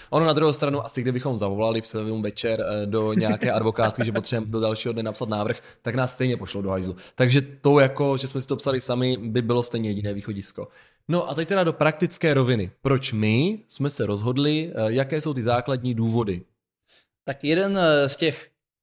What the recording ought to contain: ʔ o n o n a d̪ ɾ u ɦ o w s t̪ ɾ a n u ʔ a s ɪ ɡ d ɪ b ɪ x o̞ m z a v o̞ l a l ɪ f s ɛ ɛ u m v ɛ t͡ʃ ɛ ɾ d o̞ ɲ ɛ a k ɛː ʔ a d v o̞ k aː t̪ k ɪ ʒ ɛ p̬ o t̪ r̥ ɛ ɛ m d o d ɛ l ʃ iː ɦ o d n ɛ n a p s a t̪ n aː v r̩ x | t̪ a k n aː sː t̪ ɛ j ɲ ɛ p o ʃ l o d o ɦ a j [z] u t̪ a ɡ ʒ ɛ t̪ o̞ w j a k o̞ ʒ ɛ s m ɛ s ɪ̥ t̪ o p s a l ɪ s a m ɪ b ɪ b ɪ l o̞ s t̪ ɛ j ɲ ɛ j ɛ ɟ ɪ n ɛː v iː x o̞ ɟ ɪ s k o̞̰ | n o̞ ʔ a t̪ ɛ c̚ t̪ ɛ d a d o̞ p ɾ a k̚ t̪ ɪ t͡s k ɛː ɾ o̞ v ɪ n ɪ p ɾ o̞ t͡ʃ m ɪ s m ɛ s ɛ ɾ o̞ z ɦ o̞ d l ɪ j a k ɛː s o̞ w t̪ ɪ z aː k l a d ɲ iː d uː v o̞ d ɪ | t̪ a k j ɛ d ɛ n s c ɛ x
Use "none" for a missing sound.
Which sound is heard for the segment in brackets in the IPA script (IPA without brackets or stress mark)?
z